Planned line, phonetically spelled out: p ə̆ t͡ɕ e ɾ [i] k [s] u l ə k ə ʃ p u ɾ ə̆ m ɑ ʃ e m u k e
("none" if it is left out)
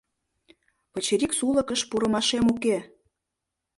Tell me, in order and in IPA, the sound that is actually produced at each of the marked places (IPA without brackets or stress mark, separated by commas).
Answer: i, s